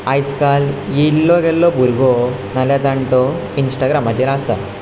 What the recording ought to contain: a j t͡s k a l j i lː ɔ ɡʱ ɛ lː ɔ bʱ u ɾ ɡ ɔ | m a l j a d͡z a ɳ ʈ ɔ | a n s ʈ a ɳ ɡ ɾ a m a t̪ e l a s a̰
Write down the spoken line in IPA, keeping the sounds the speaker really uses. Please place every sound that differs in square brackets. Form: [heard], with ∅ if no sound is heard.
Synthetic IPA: a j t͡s k a l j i lː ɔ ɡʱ ɛ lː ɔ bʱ u ɾ ɡ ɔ | [n] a l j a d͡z a ɳ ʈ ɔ | [i] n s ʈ a [∅] ɡ ɾ a m a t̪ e [ɾ] a s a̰